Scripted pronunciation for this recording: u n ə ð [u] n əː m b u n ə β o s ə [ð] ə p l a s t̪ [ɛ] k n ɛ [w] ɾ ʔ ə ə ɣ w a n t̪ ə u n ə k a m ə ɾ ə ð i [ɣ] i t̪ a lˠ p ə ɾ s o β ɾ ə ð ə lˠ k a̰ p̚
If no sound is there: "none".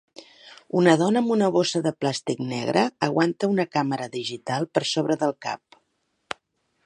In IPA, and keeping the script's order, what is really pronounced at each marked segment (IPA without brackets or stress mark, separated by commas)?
ɔ, ð, i, ɣ, ʒ